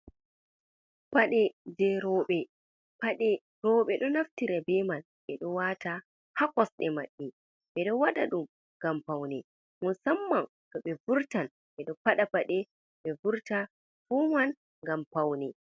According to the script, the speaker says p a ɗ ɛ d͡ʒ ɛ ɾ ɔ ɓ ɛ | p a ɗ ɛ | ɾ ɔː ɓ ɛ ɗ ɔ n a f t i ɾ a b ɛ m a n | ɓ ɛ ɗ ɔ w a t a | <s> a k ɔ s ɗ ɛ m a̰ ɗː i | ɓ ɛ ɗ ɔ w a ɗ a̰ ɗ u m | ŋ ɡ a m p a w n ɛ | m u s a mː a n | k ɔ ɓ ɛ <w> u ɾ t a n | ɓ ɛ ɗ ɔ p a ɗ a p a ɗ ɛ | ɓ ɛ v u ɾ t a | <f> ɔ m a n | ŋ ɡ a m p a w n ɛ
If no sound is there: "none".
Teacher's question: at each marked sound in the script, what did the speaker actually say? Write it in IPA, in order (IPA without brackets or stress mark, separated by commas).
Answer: h, v, f